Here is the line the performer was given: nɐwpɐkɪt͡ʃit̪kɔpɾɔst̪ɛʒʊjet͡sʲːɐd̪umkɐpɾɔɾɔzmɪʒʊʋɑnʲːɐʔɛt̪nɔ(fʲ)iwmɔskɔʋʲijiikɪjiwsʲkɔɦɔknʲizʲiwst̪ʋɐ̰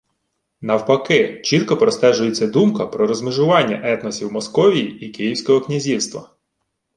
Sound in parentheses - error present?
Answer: yes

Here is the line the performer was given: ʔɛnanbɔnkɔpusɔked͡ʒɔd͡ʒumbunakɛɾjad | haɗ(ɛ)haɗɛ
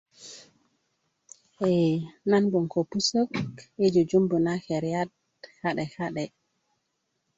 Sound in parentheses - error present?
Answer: no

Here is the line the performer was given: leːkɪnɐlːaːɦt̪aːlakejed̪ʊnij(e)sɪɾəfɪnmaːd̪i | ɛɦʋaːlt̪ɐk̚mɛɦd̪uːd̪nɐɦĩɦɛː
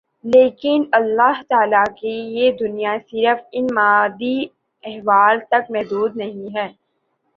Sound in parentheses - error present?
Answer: yes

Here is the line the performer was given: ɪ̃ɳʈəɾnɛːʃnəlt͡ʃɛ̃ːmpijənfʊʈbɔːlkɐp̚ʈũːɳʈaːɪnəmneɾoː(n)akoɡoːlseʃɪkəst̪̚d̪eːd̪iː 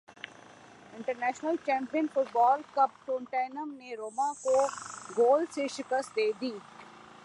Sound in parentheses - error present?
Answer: yes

